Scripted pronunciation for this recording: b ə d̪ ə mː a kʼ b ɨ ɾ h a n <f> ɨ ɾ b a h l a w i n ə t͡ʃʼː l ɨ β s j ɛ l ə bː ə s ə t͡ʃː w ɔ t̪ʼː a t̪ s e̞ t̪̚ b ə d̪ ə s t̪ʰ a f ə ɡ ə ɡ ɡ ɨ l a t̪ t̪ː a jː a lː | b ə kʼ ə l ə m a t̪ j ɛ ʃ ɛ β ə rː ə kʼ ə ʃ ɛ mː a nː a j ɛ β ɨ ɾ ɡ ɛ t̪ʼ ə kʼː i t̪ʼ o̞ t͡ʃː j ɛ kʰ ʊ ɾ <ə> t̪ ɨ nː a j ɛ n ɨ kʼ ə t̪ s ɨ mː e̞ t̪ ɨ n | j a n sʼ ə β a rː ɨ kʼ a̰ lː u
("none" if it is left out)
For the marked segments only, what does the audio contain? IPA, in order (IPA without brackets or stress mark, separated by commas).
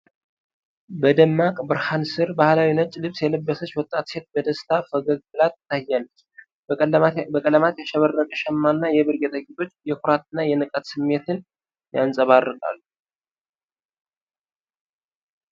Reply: s, a